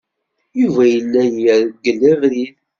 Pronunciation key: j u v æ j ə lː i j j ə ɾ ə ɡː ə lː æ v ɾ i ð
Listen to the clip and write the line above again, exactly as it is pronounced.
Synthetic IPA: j u v æ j ə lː æ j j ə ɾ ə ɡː ə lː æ v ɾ i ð